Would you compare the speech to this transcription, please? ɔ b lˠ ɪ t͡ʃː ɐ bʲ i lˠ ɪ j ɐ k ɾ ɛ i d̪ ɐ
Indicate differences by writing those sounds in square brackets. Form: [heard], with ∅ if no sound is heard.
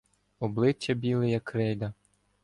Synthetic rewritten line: ɔ b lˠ ɪ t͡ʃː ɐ bʲ i lˠ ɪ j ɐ k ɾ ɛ [j] d̪ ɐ

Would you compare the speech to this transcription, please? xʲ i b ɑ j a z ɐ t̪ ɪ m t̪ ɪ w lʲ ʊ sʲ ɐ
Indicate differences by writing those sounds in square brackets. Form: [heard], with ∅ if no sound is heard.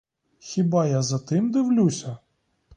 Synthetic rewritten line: xʲ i b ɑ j a z ɐ t̪ ɪ m [d̪] ɪ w lʲ [u] sʲ ɐ

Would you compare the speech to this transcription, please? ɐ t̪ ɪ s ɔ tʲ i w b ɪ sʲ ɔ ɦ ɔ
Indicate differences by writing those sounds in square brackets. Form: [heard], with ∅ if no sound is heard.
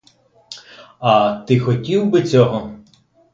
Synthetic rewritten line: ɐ t̪ ɪ [x] ɔ tʲ i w b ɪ [t͡sʲ] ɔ ɦ ɔ

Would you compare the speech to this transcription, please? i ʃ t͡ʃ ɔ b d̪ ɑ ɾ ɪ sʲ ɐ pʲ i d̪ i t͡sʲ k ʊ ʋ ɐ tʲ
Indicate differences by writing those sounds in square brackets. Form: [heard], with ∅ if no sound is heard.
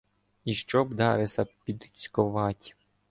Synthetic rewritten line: i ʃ t͡ʃ ɔ b d̪ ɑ ɾ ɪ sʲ ɐ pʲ i d̪ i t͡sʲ k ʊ ʋ [ɑ] tʲ

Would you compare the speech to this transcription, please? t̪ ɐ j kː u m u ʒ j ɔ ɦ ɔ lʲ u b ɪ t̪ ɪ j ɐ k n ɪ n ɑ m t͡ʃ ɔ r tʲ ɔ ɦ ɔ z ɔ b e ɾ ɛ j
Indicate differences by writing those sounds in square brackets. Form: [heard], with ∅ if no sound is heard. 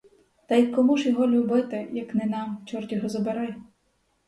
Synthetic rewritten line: t̪ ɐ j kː [ɔ] m u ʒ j ɔ ɦ ɔ lʲ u b ɪ t̪ ɪ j ɐ k n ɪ n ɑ m t͡ʃ ɔ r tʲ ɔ ɦ ɔ z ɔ b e ɾ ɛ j

